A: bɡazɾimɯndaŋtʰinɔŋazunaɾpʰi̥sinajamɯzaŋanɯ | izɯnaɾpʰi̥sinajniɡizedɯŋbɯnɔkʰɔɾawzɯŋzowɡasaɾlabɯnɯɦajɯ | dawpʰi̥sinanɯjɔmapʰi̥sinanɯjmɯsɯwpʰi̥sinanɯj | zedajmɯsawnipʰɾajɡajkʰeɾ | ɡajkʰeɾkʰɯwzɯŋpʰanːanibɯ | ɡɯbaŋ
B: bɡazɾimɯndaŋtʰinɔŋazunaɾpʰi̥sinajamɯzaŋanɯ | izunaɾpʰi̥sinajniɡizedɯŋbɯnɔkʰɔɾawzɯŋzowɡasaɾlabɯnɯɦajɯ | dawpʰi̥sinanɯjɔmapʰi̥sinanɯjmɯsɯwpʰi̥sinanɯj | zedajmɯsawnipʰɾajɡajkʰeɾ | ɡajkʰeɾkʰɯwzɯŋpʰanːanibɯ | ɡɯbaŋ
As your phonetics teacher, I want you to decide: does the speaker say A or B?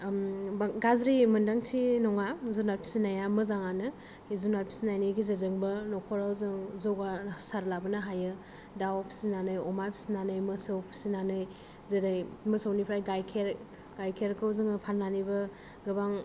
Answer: B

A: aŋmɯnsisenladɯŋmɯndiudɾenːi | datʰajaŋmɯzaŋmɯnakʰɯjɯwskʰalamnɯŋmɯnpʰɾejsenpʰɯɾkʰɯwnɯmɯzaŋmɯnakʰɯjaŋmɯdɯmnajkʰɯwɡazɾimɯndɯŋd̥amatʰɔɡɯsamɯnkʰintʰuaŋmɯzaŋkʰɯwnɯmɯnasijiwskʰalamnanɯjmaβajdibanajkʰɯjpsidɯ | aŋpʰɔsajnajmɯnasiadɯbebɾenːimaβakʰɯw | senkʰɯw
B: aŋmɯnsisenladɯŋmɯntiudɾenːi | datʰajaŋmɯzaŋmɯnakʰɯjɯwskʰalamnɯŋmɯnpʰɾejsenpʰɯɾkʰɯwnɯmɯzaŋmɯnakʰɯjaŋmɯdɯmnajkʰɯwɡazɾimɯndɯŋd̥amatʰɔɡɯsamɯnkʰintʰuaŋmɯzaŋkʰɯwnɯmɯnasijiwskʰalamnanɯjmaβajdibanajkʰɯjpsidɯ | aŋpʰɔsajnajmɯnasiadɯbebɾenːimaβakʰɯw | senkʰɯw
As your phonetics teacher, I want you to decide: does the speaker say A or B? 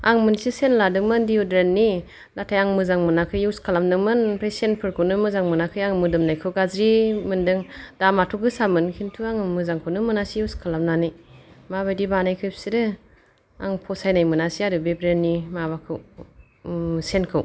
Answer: A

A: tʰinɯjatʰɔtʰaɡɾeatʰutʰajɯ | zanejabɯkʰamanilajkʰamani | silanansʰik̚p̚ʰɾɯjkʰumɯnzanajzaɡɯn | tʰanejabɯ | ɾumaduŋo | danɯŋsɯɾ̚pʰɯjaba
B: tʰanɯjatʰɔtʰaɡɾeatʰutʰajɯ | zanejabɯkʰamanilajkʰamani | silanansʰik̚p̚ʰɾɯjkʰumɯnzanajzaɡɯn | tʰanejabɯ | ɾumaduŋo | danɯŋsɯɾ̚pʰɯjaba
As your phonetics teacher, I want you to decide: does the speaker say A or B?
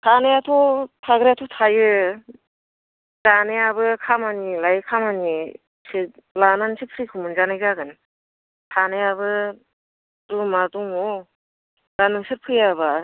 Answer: B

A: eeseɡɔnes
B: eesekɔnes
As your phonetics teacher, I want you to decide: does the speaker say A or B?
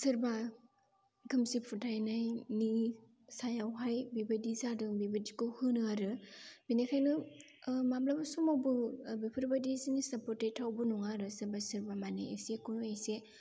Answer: B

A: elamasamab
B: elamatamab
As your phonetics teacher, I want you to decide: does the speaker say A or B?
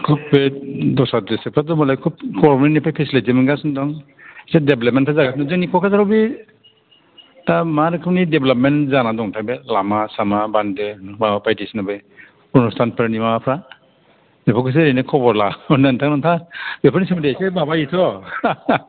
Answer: A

